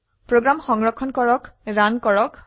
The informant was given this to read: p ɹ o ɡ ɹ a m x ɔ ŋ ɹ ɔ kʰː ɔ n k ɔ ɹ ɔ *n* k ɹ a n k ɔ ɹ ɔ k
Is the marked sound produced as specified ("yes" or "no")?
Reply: no